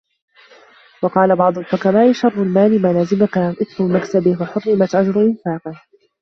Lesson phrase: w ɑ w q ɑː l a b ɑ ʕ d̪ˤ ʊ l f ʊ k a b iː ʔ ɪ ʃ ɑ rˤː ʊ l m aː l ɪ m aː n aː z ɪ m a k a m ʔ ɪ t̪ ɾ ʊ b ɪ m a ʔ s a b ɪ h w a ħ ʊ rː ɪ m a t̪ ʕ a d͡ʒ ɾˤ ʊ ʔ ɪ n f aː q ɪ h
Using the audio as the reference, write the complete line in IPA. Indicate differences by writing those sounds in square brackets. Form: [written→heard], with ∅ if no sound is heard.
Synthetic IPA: w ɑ [w→∅] q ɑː l a b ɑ ʕ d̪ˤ ʊ l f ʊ k a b [iː→aː] ʔ ɪ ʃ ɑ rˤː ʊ l m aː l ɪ m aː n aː z ɪ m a k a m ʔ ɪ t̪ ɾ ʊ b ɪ m a [ʔ→k] s a b ɪ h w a ħ ʊ rː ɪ m a t̪ ʕ a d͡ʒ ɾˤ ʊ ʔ ɪ n f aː q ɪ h